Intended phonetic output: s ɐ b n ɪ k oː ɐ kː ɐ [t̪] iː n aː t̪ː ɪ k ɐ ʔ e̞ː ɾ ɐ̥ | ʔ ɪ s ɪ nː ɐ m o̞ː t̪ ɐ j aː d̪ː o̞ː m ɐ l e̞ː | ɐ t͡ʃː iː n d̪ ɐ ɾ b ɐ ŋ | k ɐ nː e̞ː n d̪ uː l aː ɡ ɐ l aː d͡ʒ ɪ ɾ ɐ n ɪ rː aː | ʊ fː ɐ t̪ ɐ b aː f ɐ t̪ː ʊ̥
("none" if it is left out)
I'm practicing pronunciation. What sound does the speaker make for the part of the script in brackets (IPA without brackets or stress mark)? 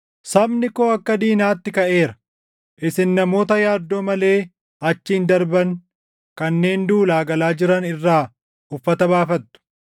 d̪